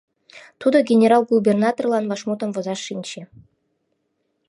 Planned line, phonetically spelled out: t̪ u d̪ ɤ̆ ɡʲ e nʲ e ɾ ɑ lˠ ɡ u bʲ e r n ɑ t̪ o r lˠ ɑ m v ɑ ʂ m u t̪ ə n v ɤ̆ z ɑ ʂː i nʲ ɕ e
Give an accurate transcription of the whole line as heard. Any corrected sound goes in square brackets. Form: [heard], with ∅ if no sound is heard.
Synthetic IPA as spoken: t̪ u d̪ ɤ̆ ɡʲ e nʲ e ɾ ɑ lˠ ɡ u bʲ e r n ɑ t̪ o r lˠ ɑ [n] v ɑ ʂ m u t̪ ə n v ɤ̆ z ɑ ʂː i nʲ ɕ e